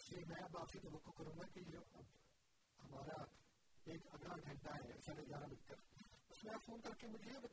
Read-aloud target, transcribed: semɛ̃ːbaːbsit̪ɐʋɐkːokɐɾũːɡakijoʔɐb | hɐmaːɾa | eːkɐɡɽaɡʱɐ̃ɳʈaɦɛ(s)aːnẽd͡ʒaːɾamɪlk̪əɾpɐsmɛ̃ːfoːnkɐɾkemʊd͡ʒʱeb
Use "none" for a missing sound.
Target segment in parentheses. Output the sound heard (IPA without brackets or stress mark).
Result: s